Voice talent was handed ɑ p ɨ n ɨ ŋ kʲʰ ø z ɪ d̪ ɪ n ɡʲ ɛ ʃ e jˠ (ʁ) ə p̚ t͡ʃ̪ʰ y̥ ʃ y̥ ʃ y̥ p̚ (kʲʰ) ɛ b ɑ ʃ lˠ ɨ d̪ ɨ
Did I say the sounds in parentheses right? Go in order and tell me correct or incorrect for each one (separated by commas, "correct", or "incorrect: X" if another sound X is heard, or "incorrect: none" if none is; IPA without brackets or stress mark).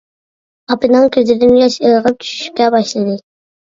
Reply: correct, incorrect: kʲ